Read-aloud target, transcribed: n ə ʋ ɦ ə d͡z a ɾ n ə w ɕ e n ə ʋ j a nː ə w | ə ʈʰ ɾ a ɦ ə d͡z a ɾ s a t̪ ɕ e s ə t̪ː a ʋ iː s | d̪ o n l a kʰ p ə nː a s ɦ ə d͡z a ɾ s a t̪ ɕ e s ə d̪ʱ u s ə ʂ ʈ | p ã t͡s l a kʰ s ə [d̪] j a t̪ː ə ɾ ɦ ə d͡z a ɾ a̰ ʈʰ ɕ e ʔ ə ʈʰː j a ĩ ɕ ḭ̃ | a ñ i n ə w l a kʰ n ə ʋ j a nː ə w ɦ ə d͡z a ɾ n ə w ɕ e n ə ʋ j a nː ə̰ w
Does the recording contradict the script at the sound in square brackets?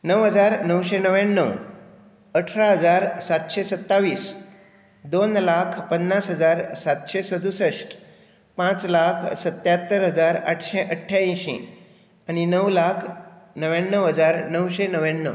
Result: yes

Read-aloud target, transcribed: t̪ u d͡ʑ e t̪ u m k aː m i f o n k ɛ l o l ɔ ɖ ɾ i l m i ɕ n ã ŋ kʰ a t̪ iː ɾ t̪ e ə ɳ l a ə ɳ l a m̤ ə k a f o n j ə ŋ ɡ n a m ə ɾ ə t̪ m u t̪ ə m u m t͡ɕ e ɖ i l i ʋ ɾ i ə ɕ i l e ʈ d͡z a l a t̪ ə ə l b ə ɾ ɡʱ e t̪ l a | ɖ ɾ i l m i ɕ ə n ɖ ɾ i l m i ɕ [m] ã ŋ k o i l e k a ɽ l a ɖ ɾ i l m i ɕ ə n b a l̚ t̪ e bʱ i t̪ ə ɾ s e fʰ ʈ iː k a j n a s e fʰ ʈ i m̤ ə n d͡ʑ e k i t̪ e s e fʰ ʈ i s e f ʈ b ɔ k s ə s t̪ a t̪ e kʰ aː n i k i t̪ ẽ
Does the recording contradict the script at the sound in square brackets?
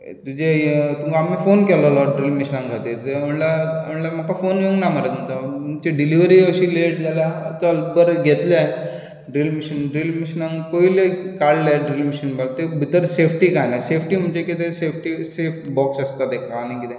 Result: yes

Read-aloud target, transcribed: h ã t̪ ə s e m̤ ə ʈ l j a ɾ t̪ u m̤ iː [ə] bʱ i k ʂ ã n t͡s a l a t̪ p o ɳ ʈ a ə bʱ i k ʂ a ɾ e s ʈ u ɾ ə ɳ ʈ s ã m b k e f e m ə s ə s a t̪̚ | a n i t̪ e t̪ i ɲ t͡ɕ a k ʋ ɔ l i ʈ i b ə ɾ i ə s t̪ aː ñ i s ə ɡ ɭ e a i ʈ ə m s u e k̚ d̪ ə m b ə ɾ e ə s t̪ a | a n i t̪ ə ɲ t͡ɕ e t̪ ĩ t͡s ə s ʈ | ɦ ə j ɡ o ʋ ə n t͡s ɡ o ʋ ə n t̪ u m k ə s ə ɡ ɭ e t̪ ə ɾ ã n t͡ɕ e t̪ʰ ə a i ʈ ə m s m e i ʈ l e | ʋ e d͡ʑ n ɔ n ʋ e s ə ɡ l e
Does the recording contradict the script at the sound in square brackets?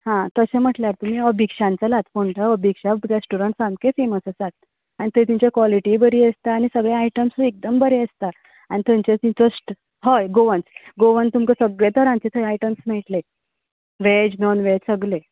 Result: no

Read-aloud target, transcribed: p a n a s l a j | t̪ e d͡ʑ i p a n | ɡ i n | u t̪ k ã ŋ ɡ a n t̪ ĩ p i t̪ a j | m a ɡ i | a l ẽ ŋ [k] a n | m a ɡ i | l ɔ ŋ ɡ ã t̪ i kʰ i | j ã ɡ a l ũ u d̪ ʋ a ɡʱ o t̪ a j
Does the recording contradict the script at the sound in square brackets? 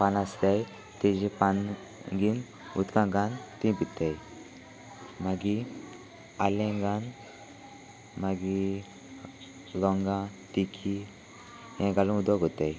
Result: yes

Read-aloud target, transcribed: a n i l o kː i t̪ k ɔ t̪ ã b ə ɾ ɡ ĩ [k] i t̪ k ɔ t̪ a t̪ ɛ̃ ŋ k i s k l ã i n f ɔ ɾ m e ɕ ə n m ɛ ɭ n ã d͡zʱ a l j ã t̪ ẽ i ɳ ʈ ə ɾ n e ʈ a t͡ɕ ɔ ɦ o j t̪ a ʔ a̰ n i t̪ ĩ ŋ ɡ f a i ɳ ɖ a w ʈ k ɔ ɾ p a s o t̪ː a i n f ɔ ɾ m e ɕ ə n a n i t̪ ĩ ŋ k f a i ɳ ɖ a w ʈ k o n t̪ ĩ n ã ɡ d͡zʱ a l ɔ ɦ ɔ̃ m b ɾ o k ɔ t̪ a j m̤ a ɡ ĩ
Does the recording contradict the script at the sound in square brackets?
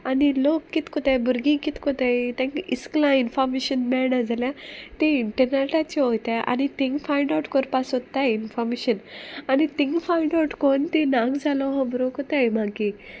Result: no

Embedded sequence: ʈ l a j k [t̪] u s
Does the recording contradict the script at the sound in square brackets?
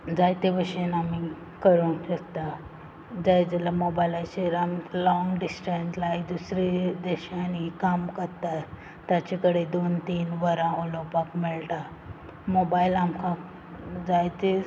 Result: yes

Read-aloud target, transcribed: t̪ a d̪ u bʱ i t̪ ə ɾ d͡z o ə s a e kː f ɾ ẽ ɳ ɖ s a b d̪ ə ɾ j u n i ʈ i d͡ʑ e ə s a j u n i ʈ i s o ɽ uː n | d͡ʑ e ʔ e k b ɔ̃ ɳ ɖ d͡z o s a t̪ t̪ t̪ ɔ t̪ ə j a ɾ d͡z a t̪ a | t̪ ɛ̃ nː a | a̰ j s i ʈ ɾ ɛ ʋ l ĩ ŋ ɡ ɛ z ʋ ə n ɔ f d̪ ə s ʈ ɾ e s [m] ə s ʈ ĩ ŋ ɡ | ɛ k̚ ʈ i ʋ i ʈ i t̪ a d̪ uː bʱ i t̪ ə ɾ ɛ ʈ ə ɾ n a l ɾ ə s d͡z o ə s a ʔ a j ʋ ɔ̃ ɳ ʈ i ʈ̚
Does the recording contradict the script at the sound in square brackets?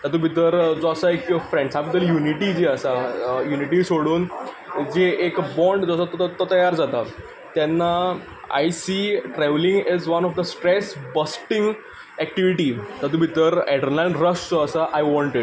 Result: yes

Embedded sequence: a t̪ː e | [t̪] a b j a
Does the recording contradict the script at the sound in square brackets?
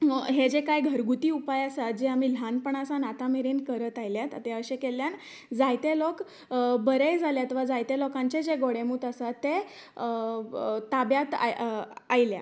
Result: no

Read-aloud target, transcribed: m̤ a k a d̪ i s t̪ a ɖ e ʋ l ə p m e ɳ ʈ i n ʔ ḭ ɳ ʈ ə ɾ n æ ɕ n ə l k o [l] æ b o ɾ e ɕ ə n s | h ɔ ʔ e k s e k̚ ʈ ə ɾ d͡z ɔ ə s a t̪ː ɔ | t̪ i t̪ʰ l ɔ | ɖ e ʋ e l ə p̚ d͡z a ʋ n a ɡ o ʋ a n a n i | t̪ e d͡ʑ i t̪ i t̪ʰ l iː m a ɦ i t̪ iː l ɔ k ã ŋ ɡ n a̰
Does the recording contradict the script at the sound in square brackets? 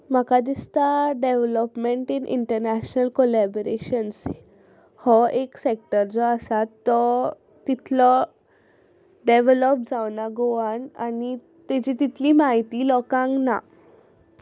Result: no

